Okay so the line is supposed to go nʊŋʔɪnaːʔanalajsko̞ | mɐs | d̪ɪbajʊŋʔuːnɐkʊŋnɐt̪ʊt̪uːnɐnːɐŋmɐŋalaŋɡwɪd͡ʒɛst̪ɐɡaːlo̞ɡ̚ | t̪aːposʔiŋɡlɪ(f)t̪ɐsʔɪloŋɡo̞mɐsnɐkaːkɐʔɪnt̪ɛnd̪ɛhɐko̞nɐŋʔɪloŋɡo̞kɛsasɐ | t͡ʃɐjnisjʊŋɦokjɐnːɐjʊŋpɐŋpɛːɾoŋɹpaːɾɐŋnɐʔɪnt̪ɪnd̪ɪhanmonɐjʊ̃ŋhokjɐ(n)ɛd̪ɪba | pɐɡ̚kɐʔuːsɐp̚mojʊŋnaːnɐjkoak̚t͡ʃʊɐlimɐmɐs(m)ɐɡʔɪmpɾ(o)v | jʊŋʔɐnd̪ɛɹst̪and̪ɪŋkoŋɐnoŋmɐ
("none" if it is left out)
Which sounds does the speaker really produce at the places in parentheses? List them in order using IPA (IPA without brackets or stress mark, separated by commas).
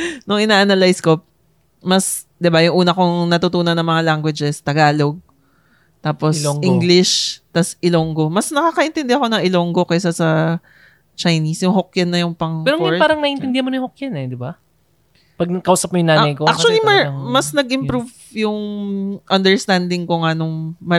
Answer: ʃ, n, n, u